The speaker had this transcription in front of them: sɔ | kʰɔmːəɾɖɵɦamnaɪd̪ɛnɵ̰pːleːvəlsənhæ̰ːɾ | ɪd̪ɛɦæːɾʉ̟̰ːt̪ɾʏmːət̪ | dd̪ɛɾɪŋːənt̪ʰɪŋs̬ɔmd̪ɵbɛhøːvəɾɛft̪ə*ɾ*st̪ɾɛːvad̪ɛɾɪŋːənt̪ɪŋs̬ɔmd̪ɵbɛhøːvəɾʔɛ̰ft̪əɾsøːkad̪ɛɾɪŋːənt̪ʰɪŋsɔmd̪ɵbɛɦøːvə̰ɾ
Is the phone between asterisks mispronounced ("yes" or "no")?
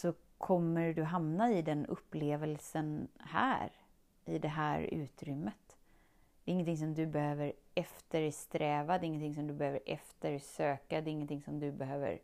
no